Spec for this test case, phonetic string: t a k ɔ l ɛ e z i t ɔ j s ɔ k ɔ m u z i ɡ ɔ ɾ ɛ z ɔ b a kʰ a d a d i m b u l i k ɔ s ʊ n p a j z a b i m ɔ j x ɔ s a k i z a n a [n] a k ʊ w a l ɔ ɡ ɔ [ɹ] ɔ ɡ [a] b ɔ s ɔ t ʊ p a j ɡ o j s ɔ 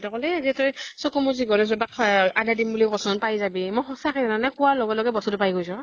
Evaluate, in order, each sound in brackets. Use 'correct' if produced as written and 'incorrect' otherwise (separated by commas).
correct, incorrect, incorrect